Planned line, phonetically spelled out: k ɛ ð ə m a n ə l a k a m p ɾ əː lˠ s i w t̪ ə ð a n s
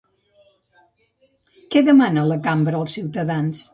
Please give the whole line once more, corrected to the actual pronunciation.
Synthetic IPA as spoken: k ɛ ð ə m a n ə l ə k a m b ɾ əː lˠ s i w t̪ ə ð a n s